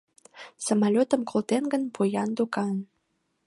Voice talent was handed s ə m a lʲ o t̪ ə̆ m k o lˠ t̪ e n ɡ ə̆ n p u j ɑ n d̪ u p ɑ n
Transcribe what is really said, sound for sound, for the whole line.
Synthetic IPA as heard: s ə m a lʲ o t̪ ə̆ m k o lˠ t̪ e n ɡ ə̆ n p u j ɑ n d̪ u k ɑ n